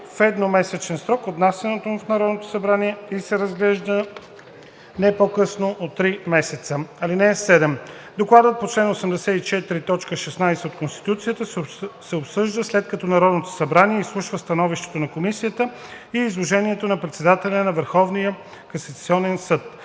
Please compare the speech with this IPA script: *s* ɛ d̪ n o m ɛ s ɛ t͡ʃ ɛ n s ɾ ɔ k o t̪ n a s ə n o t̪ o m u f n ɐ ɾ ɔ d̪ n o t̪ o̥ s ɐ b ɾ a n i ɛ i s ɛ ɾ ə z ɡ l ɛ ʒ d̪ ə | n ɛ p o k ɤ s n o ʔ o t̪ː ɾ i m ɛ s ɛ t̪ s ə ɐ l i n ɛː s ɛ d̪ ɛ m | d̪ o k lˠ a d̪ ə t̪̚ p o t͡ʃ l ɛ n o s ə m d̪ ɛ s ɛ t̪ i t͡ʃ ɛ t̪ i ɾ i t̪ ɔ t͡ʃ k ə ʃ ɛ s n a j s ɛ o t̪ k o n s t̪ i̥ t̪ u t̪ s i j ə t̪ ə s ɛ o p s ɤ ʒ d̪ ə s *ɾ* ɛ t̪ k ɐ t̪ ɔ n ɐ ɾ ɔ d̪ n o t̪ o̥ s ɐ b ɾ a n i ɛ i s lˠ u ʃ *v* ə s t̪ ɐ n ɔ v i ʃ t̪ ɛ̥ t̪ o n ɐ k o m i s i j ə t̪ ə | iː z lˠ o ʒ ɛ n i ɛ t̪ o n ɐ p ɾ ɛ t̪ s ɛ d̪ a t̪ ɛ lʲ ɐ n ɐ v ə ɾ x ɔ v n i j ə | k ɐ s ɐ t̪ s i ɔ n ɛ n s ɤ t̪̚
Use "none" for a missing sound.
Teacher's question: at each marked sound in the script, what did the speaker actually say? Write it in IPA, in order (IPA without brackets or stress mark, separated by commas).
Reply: f, l, v